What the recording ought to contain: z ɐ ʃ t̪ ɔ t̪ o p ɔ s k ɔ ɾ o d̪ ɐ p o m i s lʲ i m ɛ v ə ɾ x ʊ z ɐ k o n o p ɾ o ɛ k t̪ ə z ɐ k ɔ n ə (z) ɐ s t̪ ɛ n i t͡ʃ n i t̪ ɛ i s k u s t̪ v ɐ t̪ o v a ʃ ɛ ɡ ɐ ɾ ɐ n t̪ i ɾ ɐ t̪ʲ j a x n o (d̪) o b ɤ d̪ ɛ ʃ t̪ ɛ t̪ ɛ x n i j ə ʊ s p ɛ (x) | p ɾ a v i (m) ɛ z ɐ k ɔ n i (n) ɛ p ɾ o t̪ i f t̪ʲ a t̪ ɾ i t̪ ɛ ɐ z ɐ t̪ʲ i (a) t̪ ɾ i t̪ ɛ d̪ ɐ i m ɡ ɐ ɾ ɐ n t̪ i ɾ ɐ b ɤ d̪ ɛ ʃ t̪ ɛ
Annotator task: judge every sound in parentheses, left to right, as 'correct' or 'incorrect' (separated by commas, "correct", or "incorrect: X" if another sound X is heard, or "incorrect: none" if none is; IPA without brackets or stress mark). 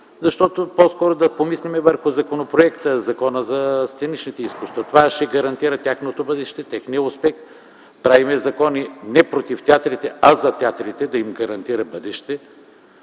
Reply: correct, incorrect: t̪, correct, correct, correct, correct